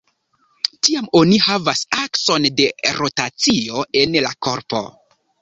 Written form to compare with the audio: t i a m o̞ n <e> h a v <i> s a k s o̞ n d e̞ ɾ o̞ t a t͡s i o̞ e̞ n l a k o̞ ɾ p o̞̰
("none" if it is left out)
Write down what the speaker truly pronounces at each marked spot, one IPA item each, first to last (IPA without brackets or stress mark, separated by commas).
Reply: i, a